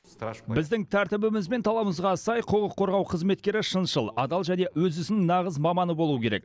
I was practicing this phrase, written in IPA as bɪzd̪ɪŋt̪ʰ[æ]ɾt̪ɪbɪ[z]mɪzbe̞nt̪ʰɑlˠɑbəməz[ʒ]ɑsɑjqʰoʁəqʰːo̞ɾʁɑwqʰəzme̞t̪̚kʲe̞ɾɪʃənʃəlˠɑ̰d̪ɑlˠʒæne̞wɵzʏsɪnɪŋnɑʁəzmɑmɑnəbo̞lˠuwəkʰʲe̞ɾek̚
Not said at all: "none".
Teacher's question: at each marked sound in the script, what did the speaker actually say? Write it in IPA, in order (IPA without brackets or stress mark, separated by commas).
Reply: æ, none, ʁ